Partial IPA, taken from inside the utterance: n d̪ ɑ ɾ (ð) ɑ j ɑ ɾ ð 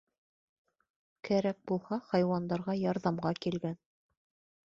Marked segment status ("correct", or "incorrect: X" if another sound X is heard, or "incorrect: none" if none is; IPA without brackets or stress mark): incorrect: ʁ